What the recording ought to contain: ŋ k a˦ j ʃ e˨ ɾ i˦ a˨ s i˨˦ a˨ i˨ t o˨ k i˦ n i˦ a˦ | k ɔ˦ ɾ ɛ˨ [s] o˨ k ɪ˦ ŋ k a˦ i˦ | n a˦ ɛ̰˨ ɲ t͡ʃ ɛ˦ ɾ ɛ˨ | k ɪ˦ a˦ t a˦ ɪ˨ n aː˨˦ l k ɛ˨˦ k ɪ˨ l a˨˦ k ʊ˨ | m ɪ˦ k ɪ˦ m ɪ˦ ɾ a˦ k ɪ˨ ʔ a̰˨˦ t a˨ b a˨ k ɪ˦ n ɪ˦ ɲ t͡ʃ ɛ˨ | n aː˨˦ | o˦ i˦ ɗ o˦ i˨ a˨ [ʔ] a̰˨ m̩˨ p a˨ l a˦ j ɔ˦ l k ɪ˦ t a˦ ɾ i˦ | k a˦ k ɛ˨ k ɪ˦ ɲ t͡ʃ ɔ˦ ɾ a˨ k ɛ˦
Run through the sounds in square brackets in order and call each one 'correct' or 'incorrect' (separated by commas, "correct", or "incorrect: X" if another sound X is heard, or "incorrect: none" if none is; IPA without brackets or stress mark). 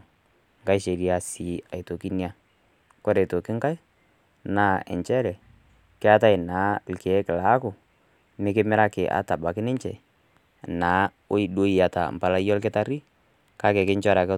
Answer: incorrect: t, incorrect: t